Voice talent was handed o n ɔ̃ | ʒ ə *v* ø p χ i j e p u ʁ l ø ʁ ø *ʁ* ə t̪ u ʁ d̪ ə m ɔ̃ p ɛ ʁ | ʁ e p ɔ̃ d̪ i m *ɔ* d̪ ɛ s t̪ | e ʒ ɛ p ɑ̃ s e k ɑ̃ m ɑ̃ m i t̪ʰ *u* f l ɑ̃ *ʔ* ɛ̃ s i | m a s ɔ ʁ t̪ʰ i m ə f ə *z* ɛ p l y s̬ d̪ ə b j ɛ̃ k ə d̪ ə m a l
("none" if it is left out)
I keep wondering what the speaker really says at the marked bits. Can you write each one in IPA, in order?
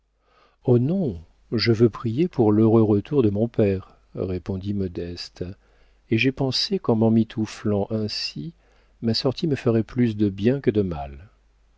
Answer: v, ʁ, ɔ, u, ʔ, ʁ

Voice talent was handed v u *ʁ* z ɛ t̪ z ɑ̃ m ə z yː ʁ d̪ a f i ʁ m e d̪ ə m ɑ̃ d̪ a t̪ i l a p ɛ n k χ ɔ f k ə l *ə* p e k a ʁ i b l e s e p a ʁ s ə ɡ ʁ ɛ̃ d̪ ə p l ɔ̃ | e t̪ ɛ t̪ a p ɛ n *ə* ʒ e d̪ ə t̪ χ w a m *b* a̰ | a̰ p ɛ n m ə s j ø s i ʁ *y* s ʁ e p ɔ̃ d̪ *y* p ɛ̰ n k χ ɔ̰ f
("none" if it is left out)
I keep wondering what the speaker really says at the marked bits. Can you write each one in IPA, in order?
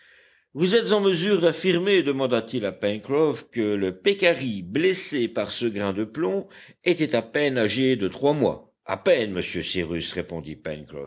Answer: none, ə, a, w, y, i

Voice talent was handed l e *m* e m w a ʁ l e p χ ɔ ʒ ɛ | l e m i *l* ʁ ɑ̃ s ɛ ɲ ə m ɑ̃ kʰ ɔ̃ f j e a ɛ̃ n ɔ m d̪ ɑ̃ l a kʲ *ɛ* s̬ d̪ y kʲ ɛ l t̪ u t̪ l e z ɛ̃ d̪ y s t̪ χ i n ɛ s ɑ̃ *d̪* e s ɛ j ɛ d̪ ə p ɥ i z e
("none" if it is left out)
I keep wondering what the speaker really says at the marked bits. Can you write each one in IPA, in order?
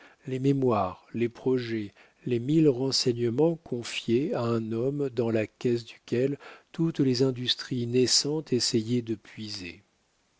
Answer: m, l, ɛ, t̪

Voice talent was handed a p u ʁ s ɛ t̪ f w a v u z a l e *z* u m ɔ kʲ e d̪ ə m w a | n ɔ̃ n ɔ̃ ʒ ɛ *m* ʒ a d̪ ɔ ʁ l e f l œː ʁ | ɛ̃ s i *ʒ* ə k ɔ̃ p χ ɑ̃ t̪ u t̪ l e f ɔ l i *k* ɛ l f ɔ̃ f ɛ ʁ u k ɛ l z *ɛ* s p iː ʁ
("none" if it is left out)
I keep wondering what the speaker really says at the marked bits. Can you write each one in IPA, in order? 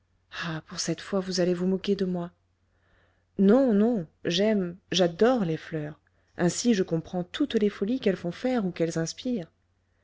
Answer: v, m, ʒ, k, ɛ̃

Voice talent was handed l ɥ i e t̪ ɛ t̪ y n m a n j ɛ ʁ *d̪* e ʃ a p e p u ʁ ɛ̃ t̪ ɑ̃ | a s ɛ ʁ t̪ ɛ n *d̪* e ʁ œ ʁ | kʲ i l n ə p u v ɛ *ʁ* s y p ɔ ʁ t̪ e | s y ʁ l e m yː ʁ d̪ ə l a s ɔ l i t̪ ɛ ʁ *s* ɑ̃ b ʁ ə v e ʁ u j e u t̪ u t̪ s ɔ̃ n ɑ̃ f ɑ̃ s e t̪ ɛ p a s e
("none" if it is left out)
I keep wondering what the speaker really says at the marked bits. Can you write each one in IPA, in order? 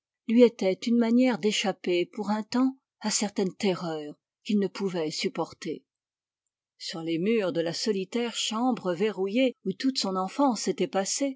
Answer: d̪, t̪, none, ʃ

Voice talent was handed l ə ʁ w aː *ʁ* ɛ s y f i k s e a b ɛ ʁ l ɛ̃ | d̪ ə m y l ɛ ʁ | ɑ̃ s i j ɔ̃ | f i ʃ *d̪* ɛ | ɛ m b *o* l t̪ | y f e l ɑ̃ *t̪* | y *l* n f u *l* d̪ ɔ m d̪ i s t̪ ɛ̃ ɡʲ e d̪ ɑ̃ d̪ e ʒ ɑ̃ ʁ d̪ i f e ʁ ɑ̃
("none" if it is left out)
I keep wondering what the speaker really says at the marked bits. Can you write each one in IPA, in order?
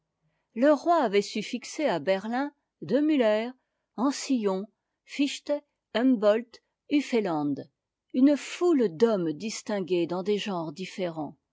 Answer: v, t̪, ɔ, d̪, none, l

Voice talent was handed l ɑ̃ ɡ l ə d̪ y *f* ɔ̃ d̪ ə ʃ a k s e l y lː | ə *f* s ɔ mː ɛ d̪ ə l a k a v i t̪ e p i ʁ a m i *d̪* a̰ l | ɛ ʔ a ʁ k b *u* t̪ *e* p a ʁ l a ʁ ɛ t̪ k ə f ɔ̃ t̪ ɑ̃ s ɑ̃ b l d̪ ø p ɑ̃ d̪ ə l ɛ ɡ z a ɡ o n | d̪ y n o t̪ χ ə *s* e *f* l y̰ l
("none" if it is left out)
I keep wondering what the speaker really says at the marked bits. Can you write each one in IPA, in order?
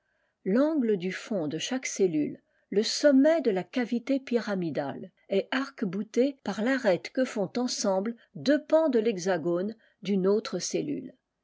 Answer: f, none, d̪, u, e, s, none

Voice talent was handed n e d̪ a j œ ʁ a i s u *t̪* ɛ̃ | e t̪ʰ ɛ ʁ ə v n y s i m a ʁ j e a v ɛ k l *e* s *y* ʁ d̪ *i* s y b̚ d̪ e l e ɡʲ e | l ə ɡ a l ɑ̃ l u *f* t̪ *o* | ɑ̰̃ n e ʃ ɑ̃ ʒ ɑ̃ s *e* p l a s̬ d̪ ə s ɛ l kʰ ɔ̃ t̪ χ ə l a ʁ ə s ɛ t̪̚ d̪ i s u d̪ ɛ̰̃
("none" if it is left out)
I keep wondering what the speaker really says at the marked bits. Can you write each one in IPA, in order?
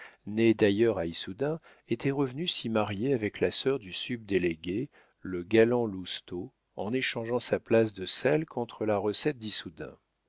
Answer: d̪, a, œ, y, s, o, a

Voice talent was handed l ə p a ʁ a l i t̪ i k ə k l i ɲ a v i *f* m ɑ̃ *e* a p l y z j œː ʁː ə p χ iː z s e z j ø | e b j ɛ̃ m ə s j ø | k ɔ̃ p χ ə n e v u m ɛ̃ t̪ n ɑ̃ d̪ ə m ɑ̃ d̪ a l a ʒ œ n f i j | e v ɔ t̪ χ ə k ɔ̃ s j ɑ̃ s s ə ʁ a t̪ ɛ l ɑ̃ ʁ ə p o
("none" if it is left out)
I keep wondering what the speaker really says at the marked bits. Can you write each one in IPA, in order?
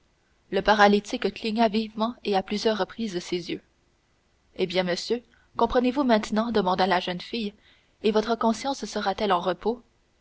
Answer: v, e

